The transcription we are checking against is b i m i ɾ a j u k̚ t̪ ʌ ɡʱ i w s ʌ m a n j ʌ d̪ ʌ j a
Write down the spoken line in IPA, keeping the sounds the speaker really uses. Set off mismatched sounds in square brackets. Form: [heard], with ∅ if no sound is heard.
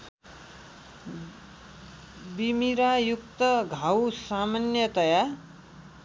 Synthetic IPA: b i m i ɾ a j u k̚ t̪ ʌ ɡʱ [a] w s [a] m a n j ʌ [t̪] ʌ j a

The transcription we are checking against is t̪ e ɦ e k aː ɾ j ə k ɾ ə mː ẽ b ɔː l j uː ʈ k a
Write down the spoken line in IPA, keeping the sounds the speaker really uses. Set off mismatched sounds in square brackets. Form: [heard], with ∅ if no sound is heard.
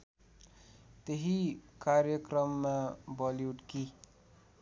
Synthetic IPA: t̪ e ɦ [i] k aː ɾ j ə k ɾ ə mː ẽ b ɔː l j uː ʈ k [i]

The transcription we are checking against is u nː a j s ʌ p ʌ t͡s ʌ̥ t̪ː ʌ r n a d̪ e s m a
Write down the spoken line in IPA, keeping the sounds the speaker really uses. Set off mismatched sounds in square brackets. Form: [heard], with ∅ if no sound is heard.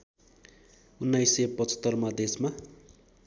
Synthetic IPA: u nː a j s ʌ p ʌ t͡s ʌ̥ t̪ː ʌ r [m] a d̪ e s m a

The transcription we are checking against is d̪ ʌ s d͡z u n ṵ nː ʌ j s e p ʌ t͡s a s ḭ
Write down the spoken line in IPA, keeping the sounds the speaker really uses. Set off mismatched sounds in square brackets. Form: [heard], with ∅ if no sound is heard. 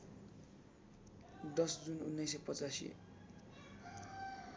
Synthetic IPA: d̪ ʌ s d͡z u n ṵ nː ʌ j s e p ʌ t͡s a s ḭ

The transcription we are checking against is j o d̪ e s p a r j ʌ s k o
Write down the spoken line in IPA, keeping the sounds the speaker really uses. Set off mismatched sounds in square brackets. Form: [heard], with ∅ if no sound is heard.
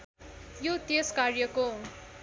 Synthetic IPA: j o [t̪] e s [k] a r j ʌ [∅] k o

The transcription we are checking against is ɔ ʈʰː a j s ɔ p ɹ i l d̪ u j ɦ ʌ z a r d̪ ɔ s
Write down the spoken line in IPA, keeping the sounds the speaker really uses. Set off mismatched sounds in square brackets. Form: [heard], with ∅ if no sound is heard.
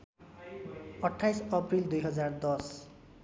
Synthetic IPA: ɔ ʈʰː a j s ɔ p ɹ i l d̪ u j ɦ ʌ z a [ɹ] d̪ ɔ s

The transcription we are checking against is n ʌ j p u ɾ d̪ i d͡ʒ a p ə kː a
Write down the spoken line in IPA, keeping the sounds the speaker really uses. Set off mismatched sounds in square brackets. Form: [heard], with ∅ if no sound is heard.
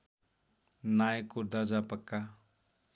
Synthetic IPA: n [a] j [k] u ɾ d̪ [a] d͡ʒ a p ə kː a

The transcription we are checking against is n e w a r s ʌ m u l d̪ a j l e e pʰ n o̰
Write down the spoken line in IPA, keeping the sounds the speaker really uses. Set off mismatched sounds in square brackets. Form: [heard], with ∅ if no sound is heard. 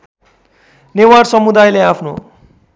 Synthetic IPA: n e w a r s ʌ m u [∅] d̪ a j l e [a] pʰ n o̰

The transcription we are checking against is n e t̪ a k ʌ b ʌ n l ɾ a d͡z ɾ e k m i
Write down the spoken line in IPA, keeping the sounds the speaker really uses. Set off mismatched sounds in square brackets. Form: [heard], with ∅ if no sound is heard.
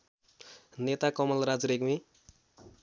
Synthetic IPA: n e t̪ a k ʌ [m] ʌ [∅] l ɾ a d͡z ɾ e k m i

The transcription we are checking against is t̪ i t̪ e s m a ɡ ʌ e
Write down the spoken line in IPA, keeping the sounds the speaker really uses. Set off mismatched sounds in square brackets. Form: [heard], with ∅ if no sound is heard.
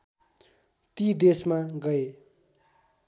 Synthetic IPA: t̪ i [d̪] e s m a ɡ ʌ e

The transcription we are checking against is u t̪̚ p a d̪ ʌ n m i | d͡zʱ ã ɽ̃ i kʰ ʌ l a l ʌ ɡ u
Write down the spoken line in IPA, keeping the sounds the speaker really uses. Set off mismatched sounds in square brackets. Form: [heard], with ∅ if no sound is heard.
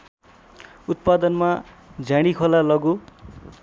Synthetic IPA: u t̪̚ p a d̪ ʌ n m [a] | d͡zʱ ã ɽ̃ i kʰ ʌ l a l ʌ ɡ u

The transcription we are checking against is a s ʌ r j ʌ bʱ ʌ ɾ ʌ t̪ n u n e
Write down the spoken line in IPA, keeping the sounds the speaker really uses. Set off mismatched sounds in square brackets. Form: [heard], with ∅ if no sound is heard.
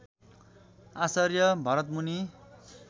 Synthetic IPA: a s ʌ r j ʌ bʱ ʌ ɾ ʌ t̪ [m] u n [i]

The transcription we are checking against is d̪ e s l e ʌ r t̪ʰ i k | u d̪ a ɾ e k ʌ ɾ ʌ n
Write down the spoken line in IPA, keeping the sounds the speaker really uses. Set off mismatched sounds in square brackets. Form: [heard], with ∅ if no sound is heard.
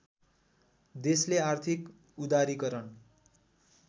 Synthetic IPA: d̪ e s l e [a] r t̪ʰ i k | u d̪ a ɾ [i] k ʌ ɾ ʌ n

